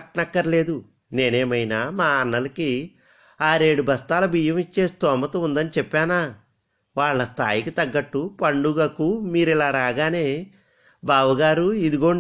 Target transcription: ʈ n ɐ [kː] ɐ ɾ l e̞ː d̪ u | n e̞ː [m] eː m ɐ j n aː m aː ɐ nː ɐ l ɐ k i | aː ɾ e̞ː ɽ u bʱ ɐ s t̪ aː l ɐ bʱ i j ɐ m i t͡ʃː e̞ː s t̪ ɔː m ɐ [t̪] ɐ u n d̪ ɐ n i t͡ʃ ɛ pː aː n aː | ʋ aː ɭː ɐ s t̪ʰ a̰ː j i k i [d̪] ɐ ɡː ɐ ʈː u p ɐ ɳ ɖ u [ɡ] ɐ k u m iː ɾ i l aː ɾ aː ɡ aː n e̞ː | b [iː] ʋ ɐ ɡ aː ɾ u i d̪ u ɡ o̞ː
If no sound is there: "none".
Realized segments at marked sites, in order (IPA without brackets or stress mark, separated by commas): kː, n, t̪, t̪, ɡ, aː